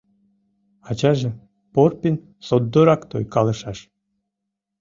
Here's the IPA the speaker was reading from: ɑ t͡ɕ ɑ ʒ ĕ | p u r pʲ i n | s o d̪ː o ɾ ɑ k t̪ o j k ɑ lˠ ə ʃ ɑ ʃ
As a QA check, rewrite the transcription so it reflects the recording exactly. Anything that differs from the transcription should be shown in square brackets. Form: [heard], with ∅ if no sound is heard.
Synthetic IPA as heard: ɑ t͡ɕ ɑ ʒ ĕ | p [o] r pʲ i n | s o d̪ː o ɾ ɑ k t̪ o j k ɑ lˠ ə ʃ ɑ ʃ